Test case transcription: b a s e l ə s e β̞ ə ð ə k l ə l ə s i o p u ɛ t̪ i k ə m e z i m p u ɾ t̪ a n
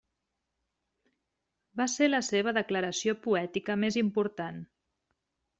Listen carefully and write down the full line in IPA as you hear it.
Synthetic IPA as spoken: b a s e l ə s e β̞ ə ð ə k l ə ɾ ə s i o p u ɛ t̪ i k ə m e z i m p u ɾ t̪ a n